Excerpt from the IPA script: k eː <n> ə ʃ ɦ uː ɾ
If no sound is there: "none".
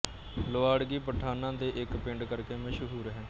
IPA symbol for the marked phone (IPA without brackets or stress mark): m